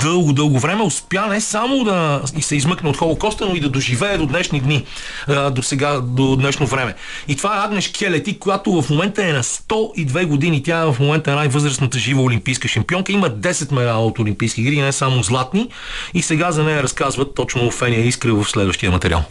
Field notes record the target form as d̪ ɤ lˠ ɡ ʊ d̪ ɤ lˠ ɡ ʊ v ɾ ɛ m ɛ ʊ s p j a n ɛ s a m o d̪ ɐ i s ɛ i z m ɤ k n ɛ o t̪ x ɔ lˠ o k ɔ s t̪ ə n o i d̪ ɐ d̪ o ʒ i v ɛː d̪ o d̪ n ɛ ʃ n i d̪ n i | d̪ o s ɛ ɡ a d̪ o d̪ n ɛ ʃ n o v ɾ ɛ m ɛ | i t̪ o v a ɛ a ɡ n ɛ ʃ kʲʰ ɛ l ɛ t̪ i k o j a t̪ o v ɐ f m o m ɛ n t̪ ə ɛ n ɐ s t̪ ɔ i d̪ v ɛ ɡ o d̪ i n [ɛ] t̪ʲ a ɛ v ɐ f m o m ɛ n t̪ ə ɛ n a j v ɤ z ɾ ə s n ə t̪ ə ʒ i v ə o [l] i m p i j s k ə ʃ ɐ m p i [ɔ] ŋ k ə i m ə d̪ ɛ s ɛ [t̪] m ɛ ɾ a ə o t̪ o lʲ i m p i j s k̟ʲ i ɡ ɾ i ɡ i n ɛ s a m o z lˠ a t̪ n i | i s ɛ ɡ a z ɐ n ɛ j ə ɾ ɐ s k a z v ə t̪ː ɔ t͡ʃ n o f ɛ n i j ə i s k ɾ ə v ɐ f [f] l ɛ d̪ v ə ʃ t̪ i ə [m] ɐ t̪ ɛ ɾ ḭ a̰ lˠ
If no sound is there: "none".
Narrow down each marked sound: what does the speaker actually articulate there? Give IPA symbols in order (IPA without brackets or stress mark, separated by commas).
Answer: i, l, ɔ, t̪, s, m